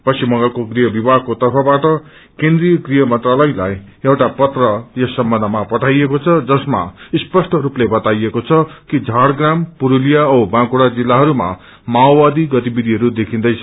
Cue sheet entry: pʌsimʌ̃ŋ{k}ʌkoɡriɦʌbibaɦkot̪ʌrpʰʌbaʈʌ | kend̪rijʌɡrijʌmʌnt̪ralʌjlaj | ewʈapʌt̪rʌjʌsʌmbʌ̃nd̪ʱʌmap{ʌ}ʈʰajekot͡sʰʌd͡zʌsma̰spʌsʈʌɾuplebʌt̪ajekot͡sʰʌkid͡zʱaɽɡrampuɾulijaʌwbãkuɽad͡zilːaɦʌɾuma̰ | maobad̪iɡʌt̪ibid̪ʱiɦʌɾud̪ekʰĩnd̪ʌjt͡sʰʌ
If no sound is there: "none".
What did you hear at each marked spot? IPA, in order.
ɡ, ʌ

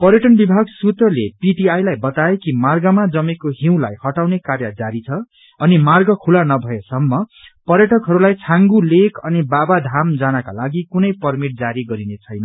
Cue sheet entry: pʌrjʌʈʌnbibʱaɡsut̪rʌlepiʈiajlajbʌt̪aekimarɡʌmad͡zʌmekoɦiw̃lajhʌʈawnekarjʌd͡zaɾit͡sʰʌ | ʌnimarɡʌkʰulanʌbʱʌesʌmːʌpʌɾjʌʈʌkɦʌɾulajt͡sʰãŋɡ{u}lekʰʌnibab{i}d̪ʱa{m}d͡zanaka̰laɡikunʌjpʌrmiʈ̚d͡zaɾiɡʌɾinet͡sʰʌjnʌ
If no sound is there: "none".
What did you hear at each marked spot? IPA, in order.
u, a, m

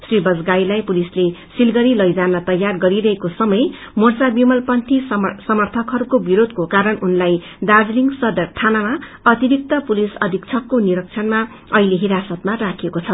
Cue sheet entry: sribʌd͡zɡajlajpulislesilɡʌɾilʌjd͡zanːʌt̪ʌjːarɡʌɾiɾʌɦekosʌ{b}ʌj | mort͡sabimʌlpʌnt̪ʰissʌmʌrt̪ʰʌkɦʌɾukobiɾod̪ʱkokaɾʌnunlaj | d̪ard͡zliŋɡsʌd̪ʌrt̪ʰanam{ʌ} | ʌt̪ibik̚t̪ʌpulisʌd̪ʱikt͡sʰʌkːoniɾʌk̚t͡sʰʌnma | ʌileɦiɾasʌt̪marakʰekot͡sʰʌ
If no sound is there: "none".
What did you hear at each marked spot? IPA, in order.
m, a

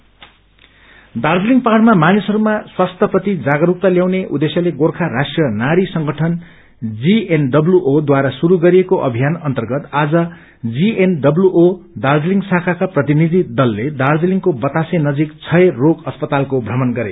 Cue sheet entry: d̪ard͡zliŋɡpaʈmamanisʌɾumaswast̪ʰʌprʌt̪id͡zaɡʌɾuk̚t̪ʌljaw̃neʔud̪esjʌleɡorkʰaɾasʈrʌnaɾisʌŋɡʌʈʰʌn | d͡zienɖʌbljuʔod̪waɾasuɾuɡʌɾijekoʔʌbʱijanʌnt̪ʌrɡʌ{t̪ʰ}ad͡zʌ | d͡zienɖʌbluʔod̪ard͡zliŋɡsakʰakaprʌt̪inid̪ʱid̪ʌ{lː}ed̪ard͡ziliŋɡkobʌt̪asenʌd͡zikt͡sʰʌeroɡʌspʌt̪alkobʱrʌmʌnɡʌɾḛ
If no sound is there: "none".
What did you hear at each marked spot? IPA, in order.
t̪, lː

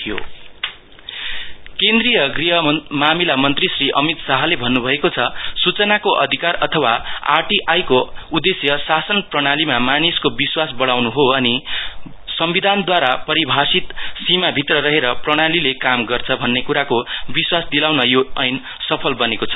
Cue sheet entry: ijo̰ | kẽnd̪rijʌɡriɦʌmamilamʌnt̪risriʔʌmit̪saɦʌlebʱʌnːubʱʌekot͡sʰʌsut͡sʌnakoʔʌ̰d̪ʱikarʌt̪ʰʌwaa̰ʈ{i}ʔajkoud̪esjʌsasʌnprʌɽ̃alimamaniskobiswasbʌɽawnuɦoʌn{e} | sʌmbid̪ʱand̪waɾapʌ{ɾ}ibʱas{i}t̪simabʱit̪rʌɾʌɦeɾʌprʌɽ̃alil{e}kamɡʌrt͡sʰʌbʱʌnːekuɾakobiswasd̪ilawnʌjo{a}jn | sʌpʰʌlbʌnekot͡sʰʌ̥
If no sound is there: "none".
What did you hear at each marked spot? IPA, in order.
i, i, ɾ, i, e, ʌ

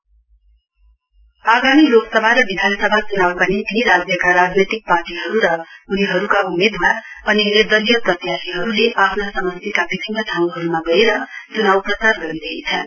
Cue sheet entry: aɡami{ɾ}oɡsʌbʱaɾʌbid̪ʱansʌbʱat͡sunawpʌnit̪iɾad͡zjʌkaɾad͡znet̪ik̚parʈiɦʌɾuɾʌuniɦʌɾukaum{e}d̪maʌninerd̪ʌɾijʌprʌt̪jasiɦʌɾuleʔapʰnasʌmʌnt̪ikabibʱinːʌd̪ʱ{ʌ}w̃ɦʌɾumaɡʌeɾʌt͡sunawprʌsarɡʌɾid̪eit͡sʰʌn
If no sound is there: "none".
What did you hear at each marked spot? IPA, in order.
l, e, a

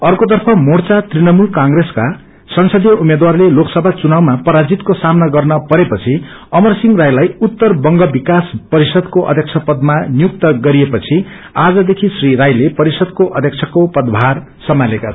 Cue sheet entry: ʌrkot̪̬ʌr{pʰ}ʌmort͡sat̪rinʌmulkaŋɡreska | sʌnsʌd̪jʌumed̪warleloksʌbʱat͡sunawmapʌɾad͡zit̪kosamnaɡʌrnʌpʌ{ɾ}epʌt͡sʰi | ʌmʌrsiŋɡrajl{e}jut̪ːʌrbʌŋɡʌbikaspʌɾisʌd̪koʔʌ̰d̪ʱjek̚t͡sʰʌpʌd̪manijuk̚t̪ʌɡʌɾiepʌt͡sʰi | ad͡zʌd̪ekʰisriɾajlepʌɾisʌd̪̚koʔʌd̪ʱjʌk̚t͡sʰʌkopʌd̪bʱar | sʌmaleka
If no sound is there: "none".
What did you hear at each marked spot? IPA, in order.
pʰ, ɾ, a

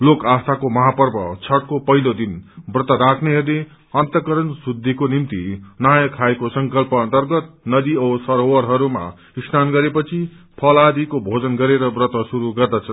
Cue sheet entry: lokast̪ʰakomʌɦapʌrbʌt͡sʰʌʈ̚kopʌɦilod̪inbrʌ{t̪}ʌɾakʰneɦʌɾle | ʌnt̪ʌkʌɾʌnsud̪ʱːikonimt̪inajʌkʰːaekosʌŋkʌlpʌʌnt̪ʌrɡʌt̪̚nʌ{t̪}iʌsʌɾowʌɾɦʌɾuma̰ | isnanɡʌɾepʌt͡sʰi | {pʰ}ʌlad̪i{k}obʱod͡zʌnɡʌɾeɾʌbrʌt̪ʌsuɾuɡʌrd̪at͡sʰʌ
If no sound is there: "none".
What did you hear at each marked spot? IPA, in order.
t̪, d̪, pʰ, k

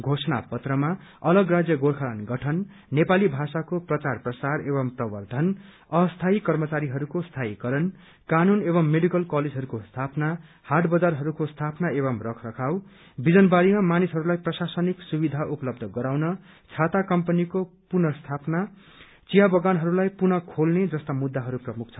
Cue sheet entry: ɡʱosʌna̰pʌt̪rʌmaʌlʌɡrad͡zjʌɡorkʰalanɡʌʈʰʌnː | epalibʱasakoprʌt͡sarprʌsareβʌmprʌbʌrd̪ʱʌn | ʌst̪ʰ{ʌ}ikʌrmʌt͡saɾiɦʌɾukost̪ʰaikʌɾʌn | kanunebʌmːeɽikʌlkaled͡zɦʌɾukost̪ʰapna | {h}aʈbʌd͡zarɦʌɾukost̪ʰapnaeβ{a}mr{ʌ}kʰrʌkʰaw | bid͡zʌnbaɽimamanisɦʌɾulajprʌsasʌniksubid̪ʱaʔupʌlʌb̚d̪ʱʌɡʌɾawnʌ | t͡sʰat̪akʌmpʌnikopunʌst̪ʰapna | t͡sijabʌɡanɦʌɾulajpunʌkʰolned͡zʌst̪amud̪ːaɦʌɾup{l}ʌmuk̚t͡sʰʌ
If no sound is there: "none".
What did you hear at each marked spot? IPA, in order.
a, h, ʌ, ʌ, r

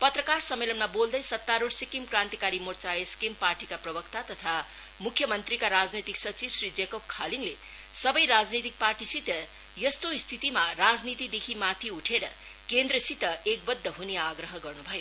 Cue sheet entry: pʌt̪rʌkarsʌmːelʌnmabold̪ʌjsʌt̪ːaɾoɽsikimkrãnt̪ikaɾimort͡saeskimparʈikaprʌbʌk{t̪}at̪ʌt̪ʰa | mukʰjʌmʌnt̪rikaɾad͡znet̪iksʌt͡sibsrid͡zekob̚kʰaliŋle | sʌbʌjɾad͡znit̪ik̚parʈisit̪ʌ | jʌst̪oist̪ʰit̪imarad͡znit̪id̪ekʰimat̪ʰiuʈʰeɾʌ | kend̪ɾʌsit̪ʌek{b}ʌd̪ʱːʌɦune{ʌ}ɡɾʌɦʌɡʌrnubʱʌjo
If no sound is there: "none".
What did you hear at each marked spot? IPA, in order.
t̪, b, a

